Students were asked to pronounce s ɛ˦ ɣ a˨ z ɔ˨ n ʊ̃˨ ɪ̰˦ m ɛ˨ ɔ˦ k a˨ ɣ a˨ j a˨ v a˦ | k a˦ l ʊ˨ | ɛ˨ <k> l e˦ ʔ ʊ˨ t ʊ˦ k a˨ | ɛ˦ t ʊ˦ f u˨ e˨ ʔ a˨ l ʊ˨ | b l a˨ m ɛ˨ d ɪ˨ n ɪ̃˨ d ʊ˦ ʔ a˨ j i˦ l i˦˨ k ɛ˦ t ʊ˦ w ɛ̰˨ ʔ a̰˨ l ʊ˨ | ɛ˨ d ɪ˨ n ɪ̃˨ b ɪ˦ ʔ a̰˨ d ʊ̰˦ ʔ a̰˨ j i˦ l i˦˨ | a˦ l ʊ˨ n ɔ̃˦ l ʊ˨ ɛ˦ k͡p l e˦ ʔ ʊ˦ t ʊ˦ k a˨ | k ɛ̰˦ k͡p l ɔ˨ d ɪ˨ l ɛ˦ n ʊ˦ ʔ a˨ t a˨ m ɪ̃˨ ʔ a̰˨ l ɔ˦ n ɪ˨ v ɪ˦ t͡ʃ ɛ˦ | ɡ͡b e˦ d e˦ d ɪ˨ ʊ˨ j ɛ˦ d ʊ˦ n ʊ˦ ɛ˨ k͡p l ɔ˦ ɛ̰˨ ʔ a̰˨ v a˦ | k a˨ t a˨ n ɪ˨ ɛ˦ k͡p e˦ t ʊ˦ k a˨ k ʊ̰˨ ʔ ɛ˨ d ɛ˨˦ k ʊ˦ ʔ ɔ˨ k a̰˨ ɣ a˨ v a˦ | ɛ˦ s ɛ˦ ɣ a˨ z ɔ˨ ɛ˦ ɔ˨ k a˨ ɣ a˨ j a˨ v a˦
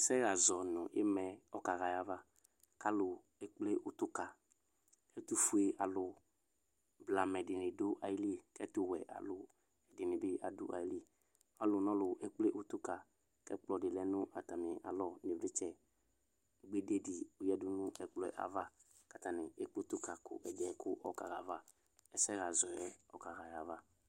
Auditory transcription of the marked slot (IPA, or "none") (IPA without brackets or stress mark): k͡p